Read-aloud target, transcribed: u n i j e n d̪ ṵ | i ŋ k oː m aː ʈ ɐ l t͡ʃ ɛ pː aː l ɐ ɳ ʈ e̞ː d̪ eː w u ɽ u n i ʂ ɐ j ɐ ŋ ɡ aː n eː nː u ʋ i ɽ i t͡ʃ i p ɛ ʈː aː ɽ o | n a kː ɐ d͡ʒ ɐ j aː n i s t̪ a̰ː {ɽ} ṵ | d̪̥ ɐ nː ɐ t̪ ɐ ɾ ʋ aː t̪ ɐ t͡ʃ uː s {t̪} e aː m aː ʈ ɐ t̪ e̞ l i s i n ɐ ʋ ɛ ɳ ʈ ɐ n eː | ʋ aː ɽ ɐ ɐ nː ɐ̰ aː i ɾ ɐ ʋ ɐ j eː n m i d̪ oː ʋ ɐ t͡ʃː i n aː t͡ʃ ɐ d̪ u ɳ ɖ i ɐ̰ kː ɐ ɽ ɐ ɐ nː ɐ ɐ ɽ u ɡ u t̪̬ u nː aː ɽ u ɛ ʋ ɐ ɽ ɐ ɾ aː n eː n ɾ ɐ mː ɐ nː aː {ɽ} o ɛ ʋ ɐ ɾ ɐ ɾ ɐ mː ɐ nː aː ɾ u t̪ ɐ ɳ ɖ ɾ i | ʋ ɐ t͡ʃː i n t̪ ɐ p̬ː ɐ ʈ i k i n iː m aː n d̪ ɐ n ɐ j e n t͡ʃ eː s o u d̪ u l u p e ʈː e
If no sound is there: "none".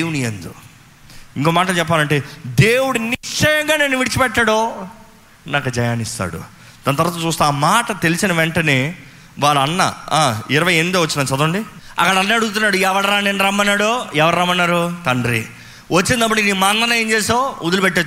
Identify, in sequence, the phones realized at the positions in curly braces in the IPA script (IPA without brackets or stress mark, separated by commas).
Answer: ɽ, t̪, ɽ